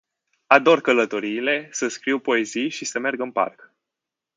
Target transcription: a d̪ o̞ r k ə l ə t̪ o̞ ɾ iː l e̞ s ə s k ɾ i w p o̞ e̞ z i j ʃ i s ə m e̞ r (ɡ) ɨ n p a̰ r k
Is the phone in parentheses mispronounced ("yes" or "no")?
no